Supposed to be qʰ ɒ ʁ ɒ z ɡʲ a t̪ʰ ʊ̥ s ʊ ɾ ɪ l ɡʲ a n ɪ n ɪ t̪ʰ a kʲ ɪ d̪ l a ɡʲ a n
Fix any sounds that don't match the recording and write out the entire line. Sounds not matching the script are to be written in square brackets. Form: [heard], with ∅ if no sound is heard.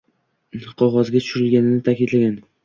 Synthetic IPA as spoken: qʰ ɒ ʁ ɒ z ɡʲ a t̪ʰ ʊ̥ [ʃ] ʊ ɾ ɪ l ɡʲ a n ɪ n ɪ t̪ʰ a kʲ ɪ d̪ l a ɡʲ a n